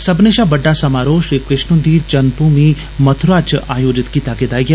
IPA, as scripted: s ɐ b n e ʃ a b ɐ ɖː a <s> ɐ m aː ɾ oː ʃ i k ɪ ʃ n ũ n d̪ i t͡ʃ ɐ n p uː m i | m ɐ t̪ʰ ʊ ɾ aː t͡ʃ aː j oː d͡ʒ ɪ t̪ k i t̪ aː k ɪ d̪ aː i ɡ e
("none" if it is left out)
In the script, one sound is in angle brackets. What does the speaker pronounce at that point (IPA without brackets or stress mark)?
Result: s